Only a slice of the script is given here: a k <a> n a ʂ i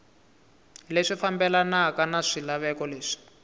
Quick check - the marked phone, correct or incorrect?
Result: correct